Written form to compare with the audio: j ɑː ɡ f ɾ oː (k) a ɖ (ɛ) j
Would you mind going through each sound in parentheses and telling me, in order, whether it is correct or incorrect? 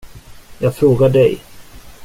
incorrect, correct

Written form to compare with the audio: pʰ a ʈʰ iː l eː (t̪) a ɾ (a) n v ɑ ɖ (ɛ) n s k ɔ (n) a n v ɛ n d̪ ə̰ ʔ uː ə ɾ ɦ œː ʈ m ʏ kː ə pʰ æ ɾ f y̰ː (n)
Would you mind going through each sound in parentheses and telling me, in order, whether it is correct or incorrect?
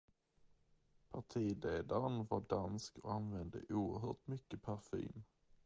incorrect, incorrect, incorrect, incorrect, incorrect

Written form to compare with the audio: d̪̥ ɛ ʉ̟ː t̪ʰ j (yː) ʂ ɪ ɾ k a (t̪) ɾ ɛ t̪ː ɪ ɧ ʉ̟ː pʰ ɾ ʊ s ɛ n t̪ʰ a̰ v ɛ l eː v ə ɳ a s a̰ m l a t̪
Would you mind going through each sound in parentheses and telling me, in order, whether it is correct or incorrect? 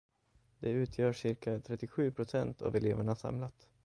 incorrect, incorrect

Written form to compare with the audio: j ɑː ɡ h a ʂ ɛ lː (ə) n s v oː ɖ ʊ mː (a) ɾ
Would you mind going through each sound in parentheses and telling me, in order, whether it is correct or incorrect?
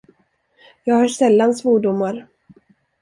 incorrect, correct

